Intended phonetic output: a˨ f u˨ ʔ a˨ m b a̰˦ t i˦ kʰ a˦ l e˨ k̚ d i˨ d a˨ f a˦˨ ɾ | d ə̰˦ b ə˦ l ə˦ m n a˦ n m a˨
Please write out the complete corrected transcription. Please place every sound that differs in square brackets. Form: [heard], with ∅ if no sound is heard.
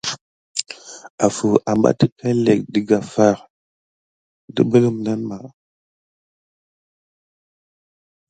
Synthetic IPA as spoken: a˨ f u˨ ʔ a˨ m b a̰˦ t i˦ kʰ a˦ l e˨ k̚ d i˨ [ɡ] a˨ f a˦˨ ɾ | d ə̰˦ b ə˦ l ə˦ m n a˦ n m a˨